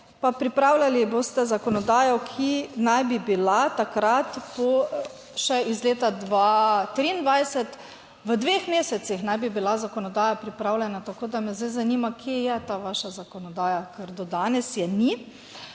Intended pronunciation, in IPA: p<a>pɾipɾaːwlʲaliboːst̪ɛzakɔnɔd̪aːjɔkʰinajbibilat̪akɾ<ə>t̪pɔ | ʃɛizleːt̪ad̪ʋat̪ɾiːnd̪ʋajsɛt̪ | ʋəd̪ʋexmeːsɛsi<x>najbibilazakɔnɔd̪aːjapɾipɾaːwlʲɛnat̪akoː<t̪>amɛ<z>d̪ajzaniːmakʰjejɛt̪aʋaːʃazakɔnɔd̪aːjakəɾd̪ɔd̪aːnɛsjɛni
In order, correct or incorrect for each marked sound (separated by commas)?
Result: correct, incorrect, correct, incorrect, correct